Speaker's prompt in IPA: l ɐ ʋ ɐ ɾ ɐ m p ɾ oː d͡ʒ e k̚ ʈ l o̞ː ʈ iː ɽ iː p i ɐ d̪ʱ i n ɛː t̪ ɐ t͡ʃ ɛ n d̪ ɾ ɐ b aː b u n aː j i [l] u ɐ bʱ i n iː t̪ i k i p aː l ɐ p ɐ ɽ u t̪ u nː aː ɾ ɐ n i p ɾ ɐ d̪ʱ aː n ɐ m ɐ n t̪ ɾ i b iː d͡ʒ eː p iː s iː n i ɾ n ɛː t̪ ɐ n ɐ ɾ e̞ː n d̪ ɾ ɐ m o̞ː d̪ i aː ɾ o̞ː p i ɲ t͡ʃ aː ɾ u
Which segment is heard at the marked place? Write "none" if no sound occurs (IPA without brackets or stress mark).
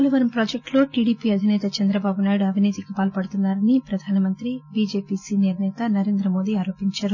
ɽ